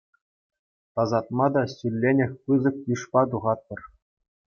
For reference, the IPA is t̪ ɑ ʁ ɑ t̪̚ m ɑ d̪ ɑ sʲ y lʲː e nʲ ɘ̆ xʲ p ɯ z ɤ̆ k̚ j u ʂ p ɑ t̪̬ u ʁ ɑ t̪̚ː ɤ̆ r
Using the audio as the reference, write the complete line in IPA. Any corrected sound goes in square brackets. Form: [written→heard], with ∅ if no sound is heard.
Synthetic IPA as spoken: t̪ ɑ [ʁ→z] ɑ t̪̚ m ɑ d̪ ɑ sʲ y lʲː e nʲ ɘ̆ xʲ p ɯ z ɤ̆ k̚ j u ʂ p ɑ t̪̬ u ʁ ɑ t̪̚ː ɤ̆ r